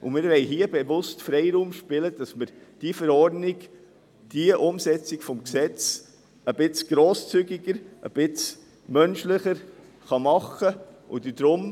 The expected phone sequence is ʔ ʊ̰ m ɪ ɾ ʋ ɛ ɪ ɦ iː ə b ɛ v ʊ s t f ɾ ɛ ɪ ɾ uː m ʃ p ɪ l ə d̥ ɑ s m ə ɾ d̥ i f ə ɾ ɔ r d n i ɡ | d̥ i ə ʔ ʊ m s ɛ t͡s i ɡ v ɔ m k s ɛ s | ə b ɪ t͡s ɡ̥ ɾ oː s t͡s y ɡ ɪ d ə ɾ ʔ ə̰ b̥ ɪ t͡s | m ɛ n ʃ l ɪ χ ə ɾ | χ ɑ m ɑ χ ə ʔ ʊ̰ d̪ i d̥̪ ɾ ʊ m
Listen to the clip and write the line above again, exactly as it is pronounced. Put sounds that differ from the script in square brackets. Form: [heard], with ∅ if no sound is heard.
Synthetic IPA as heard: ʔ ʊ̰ m ɪ ɾ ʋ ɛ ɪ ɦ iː ə b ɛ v ʊ s t f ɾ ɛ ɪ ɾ uː m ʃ p ɪ l ə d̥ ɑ s m ə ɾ d̥ i f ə ɾ ɔ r d n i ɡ | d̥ i ə ʔ ʊ m s ɛ t͡s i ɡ [f] ɔ m k s ɛ [t͡s] | ə b ɪ t͡s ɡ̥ ɾ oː s t͡s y ɡ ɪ [ɡ] ə ɾ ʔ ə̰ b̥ ɪ t͡s | m [œ] n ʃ l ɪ χ ə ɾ | χ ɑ m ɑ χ ə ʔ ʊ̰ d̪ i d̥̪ ɾ ʊ m